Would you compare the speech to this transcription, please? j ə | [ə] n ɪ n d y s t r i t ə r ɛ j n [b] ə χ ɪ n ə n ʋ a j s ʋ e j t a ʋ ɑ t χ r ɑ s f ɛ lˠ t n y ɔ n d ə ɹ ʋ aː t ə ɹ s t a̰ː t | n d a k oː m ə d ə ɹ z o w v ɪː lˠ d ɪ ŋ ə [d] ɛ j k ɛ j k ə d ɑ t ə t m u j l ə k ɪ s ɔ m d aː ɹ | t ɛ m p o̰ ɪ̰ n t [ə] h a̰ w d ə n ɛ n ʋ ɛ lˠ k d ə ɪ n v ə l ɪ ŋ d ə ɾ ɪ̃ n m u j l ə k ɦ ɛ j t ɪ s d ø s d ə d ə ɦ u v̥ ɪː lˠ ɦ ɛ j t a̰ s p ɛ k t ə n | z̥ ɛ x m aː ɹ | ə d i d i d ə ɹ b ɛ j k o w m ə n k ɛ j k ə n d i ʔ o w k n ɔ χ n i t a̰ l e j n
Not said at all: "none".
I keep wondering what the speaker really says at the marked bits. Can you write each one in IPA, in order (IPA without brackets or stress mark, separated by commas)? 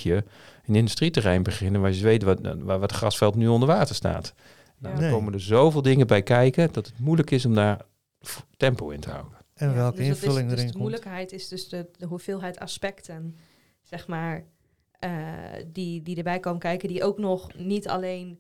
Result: ə, b, b, ə